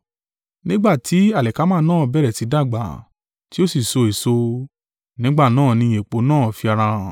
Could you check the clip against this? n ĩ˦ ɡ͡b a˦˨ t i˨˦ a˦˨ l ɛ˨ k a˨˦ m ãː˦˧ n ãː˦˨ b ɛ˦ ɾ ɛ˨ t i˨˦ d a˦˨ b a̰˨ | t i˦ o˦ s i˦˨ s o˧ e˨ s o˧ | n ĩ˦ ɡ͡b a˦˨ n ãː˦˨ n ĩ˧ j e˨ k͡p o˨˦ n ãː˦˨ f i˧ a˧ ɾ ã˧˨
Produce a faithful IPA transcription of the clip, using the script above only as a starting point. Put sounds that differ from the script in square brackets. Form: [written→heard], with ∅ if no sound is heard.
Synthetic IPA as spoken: n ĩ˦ ɡ͡b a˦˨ t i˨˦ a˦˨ l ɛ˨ k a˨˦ m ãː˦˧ n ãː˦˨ b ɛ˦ ɾ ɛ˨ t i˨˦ d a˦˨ [b→ɡ͡b] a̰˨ | t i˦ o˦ s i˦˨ s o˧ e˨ s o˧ | n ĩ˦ ɡ͡b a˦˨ n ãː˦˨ n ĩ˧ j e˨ k͡p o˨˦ n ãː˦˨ f i˧ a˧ ɾ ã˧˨